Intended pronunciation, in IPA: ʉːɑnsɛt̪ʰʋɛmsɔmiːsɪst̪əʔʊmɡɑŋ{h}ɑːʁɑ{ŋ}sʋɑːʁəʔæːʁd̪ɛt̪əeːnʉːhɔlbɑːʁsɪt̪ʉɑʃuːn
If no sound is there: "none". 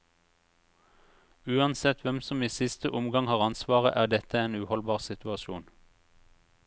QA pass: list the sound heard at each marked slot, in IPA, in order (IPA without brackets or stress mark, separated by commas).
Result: h, n